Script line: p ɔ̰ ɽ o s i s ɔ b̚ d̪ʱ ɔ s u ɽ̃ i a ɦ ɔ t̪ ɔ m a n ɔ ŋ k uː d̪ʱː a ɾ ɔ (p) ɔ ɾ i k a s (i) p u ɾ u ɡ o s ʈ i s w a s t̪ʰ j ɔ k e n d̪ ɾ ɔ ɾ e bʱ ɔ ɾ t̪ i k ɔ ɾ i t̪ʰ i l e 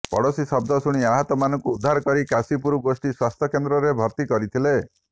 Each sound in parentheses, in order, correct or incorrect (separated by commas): incorrect, correct